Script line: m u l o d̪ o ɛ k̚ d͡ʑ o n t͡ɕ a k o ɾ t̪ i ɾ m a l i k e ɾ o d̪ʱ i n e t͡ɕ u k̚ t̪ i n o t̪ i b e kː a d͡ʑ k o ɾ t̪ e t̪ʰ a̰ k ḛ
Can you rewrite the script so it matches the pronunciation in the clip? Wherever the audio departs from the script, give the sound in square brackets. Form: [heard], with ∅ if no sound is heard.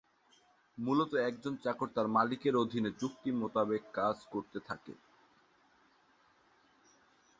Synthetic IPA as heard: m u l o [t̪] o ɛ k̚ d͡ʑ o n t͡ɕ a k o ɾ t̪ [a] ɾ m a l i k e ɾ o d̪ʱ i n e t͡ɕ u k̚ t̪ i [m] o t̪ [a] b e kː a d͡ʑ k o ɾ t̪ e t̪ʰ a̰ k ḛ